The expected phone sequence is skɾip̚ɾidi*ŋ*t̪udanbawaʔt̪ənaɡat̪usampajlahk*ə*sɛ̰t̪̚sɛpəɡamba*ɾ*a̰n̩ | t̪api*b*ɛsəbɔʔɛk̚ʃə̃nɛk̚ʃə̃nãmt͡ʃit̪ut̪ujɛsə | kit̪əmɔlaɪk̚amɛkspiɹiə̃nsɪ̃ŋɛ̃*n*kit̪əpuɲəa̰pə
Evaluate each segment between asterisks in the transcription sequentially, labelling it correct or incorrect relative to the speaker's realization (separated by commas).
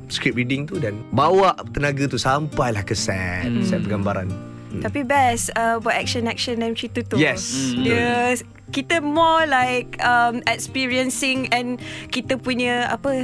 correct, correct, correct, correct, correct